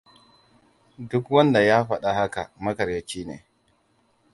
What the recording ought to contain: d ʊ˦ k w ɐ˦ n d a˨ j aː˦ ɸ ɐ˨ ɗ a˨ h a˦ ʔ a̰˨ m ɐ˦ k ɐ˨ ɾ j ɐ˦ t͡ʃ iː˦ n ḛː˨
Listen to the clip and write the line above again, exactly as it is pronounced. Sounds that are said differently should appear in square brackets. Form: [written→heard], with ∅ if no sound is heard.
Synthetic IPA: d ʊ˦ k w ɐ˦ n d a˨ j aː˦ ɸ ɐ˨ ɗ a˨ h a˦ [ʔ→k] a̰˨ m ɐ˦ k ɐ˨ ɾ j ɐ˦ t͡ʃ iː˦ n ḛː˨

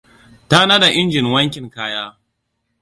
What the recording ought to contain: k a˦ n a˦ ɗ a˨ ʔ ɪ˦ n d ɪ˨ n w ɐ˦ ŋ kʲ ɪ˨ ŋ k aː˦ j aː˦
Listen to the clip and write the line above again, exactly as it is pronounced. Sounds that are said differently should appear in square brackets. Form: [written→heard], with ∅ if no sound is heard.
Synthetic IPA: [k→t] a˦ n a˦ [ɗ→d] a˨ ʔ ɪ˦ n [d→d͡ʒ] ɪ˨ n w ɐ˦ ŋ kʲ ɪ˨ ŋ k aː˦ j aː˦

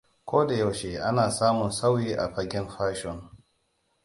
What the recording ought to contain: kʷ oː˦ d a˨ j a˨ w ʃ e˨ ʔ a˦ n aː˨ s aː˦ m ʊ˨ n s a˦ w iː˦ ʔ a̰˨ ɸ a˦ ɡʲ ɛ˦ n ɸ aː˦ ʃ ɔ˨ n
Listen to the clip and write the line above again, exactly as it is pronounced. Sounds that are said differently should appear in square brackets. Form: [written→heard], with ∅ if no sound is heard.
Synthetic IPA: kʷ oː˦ d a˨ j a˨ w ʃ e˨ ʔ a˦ n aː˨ s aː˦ m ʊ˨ n s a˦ w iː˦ ʔ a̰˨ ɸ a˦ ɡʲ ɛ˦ n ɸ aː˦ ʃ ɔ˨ n

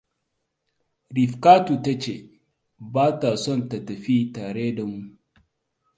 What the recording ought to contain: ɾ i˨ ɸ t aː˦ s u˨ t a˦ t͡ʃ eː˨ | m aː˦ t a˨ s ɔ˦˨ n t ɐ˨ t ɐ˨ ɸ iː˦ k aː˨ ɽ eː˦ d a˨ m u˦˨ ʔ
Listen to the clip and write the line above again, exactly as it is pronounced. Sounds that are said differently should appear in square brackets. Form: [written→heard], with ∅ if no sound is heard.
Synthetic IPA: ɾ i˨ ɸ [t→k] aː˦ [s→t] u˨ t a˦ t͡ʃ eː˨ | [m→b] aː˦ t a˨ s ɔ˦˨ n t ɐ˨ t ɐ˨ ɸ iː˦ [k→t] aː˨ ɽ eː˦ d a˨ m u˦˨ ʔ

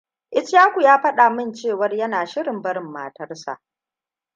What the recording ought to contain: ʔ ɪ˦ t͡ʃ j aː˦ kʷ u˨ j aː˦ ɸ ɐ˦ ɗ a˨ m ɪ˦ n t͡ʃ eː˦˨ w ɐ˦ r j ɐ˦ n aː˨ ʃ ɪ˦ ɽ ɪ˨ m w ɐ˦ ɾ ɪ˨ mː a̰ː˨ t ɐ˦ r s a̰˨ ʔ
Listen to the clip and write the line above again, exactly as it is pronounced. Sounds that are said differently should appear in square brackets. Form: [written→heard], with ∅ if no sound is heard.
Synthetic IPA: ʔ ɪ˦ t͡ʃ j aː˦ kʷ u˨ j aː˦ ɸ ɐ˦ ɗ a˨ m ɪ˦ n t͡ʃ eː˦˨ w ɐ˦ r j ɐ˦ n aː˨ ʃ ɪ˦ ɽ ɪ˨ m [w→b] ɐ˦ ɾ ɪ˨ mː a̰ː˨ t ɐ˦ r s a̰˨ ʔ

